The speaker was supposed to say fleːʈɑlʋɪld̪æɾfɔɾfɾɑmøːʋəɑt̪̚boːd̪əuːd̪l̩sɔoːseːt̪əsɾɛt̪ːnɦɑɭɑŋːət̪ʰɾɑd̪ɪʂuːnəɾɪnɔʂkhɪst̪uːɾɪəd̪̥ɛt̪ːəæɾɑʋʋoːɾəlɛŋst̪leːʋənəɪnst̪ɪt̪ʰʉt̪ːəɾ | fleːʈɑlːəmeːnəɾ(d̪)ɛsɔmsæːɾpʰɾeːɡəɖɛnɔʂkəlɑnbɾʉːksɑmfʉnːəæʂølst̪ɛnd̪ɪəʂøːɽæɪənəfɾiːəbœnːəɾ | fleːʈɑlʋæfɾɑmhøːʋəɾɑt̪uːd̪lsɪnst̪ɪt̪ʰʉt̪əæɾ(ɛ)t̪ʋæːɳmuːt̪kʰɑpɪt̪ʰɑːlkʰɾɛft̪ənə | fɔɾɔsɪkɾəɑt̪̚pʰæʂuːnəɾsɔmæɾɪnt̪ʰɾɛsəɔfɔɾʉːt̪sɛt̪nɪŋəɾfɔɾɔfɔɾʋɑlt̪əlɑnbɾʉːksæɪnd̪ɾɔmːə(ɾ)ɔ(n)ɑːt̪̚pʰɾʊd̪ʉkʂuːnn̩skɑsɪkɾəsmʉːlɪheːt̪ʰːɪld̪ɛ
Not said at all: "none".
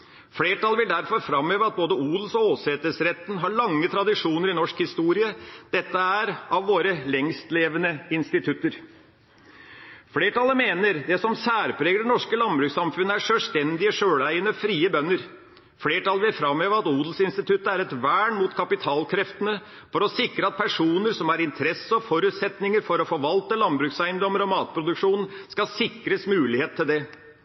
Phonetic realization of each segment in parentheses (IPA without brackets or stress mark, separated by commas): d̪, ɛ, ɾ, m